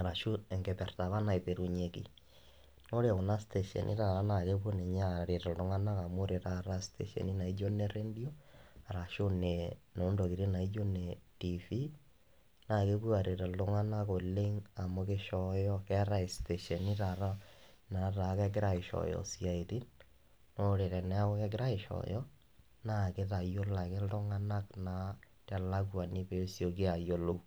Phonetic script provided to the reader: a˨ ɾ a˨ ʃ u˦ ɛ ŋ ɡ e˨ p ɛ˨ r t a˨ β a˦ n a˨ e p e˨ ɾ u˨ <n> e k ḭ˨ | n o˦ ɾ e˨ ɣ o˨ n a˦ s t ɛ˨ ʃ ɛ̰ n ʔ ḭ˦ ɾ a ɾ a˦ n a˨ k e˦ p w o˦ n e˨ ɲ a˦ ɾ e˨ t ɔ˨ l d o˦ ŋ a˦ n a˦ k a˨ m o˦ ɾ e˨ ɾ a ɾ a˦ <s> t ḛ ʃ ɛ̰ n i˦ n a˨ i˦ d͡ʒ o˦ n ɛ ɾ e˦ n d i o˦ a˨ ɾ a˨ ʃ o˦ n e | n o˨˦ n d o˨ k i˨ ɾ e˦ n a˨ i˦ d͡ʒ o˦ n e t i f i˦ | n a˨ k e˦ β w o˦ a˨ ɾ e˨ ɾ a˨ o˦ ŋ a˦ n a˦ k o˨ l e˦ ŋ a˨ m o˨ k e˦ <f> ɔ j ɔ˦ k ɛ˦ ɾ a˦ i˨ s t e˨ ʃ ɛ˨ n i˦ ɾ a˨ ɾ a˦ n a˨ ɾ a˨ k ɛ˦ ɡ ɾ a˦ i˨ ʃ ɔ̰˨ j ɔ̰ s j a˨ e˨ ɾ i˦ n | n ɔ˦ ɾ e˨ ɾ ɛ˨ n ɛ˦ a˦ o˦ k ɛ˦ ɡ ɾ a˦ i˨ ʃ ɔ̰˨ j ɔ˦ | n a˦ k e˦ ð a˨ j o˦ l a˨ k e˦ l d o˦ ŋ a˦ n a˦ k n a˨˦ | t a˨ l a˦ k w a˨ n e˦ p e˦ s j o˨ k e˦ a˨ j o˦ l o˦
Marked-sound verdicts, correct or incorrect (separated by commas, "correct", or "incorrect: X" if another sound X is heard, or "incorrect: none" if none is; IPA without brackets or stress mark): incorrect: ɲ, correct, incorrect: ʃ